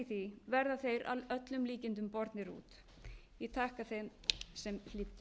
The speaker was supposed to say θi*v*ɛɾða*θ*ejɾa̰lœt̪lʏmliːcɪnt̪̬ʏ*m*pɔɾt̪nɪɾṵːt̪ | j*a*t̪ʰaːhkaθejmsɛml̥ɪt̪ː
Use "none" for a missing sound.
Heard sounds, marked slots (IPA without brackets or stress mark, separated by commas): v, θ, m, ɛ